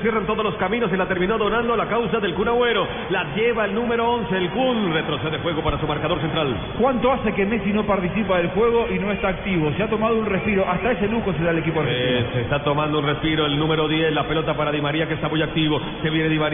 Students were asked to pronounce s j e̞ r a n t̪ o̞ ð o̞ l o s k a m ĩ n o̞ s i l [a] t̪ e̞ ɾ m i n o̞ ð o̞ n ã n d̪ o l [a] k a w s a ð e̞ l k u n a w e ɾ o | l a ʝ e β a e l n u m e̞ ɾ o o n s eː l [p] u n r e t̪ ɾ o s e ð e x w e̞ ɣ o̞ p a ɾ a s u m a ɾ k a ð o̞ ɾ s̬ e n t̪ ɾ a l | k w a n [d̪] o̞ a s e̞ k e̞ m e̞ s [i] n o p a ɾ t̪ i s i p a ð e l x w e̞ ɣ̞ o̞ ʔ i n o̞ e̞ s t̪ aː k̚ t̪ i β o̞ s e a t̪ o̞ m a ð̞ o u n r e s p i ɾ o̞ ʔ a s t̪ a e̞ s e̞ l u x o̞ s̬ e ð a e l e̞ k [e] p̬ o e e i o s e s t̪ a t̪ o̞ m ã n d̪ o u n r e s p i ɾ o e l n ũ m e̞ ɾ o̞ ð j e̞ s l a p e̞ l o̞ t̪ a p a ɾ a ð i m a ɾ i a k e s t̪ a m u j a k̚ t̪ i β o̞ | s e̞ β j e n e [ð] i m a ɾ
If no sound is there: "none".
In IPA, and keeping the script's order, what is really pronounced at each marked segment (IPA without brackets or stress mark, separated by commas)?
a, a, k, t̪, i, i, ð